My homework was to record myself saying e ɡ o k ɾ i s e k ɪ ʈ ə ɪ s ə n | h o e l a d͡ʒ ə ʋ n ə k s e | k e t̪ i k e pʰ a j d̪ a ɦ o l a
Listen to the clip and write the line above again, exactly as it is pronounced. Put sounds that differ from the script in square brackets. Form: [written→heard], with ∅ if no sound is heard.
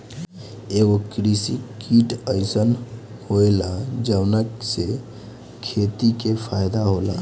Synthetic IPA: e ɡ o k ɾ i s [e→i] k [ɪ→i] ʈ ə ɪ s ə n | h o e l a d͡ʒ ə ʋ n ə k s e | [k→kʰ] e t̪ i k e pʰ a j d̪ a ɦ o l a